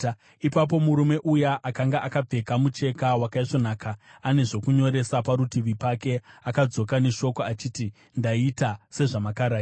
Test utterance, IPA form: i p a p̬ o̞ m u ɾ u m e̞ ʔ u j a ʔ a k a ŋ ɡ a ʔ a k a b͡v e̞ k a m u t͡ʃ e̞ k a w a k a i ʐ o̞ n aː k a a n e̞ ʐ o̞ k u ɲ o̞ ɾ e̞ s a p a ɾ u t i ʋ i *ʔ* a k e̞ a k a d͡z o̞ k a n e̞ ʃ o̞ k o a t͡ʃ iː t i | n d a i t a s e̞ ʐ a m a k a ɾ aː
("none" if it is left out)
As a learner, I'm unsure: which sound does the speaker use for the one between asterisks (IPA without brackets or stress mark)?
p